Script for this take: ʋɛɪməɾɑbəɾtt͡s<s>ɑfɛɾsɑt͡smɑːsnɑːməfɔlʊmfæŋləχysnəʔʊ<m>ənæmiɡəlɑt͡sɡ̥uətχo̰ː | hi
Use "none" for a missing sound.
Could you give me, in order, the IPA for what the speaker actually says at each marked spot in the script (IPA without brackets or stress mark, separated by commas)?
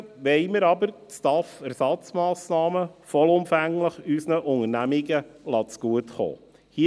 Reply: t, ŋ